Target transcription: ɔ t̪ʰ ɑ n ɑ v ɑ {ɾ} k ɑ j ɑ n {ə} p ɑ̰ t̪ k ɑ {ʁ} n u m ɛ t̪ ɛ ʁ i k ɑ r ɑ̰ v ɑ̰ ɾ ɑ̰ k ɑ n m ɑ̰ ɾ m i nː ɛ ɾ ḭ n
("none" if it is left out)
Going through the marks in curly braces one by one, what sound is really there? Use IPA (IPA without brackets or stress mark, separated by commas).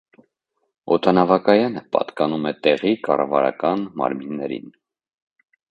none, ə, none